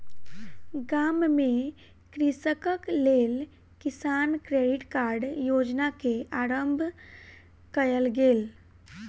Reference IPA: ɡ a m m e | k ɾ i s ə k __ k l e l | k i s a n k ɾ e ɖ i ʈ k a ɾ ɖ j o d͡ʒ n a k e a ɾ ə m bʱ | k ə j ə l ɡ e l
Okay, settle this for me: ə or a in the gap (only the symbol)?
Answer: ə